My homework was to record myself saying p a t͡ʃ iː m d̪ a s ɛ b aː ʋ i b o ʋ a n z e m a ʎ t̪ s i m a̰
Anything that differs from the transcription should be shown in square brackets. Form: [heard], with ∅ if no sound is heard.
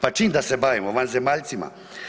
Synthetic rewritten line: p a t͡ʃ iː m d̪ a s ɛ b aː ʋ i [m] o ʋ a n z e m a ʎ t̪ s i m a̰